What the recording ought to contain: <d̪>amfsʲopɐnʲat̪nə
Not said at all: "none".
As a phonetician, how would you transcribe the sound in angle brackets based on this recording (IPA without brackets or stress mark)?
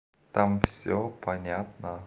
t̪